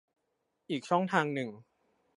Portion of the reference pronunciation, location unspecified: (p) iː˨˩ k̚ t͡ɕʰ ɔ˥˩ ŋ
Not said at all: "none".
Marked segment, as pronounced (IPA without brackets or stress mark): ʔ